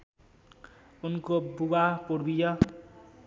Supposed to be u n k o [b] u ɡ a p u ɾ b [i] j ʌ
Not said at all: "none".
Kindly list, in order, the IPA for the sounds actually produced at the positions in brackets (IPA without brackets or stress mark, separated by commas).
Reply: b, i